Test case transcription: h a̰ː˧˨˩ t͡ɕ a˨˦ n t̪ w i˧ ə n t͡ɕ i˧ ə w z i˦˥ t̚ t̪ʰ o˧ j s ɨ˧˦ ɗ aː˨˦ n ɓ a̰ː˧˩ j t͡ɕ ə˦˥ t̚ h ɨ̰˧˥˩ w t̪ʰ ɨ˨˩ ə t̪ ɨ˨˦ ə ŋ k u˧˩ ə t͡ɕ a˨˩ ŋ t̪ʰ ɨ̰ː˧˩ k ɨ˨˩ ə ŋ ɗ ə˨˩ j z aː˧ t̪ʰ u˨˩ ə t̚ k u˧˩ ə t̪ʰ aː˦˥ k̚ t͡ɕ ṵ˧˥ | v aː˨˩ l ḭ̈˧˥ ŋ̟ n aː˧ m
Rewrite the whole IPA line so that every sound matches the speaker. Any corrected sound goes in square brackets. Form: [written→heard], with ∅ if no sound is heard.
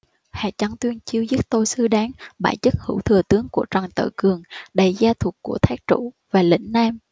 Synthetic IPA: h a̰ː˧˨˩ t͡ɕ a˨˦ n t̪ w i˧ ə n t͡ɕ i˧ ə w z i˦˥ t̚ [t̪ʰ→t̪] o˧ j s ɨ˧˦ ɗ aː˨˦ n ɓ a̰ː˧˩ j t͡ɕ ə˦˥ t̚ h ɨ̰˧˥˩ w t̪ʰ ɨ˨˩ ə t̪ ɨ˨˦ ə ŋ k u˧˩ ə t͡ɕ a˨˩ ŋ [t̪ʰ→t̪] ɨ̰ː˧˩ k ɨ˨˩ ə ŋ ɗ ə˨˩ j z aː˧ t̪ʰ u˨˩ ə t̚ k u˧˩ ə t̪ʰ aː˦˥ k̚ t͡ɕ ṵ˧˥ | v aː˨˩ l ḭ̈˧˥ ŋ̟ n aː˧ m